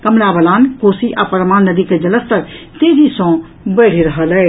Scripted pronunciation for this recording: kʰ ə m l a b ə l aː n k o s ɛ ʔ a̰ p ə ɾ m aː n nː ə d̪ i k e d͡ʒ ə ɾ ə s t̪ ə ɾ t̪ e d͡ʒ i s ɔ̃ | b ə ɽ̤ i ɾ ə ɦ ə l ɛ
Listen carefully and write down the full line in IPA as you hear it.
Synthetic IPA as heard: k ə m l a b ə l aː n k o s i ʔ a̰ p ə ɾ m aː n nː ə d̪ i k e d͡ʒ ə l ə s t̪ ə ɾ t̪ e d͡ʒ i s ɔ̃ | b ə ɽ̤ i ɾ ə ɦ ə l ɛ